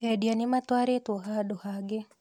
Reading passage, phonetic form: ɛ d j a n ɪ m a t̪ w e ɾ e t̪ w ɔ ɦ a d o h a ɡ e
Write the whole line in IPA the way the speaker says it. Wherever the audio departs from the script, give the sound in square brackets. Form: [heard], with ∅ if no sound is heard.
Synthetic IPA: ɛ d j a n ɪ m a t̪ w [a] ɾ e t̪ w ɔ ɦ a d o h a ɡ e